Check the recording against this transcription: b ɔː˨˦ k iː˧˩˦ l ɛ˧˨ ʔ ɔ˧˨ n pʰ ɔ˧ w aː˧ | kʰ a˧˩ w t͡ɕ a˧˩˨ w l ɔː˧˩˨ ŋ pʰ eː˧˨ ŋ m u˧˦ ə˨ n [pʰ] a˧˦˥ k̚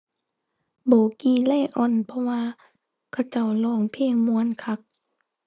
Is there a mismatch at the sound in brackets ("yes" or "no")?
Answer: yes